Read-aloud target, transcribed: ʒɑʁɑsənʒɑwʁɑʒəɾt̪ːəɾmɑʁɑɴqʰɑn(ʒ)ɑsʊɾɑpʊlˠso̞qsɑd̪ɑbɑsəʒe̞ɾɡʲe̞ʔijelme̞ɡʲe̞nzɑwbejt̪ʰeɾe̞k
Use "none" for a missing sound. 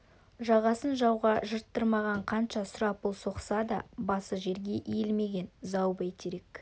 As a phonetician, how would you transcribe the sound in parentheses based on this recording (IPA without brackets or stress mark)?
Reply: ʃ